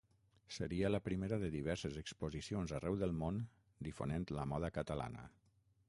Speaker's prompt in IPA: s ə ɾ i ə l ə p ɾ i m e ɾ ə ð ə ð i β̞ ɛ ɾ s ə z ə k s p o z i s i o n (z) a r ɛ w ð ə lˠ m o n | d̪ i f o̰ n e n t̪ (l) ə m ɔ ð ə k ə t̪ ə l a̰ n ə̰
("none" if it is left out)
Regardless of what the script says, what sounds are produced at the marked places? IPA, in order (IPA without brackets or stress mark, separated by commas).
z, l